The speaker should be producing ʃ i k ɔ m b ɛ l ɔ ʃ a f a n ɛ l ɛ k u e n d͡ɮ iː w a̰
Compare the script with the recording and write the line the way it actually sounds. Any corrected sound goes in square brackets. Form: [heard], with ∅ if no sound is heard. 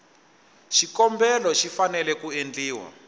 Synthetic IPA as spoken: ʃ i k ɔ m b ɛ l ɔ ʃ [i] f a n ɛ l ɛ k u e n d͡ɮ iː w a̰